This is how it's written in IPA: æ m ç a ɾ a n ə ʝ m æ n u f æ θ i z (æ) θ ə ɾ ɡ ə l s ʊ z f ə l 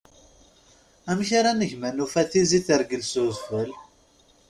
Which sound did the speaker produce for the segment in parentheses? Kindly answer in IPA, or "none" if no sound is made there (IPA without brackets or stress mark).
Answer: i